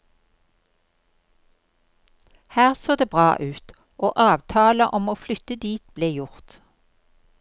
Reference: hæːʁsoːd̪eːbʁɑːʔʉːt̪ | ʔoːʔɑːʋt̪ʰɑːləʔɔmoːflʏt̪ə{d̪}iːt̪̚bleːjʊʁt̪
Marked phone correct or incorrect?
correct